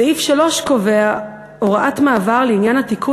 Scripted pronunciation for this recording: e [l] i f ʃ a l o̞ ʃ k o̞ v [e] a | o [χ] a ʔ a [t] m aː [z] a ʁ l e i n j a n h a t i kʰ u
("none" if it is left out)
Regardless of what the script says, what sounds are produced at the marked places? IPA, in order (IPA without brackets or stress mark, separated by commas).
none, e, ʁ, t, v